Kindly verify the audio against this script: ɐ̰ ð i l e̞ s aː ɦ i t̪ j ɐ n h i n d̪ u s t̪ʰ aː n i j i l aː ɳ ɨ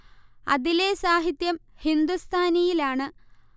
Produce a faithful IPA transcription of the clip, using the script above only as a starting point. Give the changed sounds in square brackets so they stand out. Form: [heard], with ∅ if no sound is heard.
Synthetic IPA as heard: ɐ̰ ð i l e̞ s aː ɦ i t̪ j ɐ [m] h i n d̪ u s t̪ʰ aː n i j i l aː ɳ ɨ

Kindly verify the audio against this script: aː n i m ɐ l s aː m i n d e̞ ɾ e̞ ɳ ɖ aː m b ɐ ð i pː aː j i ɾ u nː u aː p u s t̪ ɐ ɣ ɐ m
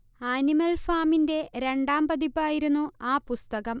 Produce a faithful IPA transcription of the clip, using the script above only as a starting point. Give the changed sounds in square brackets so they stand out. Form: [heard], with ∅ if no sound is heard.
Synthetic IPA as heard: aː n i m ɐ l [f] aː m i n d e̞ ɾ e̞ ɳ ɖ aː m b ɐ ð i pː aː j i ɾ u nː u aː p u s t̪ ɐ ɣ ɐ m

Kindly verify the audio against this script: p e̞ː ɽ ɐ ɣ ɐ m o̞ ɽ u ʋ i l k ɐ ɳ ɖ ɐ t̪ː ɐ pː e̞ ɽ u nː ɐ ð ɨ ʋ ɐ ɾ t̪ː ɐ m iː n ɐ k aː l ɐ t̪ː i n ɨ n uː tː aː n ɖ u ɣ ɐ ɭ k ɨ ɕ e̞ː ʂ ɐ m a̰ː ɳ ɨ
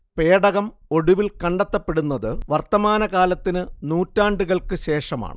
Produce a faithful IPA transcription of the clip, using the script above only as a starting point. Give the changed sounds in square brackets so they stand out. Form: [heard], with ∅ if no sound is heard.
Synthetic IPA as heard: p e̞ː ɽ ɐ ɣ ɐ m o̞ ɽ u ʋ i l k ɐ ɳ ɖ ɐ t̪ː ɐ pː e̞ ɽ u nː ɐ ð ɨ ʋ ɐ [r] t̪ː ɐ m [aː] n ɐ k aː l ɐ t̪ː i n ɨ n uː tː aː [ɳ] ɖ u ɣ ɐ ɭ k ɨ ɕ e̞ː ʂ ɐ m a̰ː ɳ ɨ

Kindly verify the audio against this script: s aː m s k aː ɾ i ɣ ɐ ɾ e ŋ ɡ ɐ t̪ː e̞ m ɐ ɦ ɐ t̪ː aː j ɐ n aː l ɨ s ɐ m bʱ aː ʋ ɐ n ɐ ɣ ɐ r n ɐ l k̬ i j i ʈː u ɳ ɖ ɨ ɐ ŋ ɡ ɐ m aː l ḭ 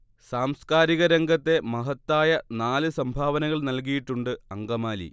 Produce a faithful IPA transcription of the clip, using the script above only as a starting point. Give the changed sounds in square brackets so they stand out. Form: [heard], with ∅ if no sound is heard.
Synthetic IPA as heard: s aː m s k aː ɾ i ɣ ɐ ɾ e ŋ ɡ ɐ t̪ː e̞ m ɐ ɦ ɐ t̪ː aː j ɐ n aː l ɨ s ɐ m bʱ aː ʋ ɐ n ɐ ɣ ɐ [ɭ] n ɐ l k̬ i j i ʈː u ɳ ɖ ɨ ɐ ŋ ɡ ɐ m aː l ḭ

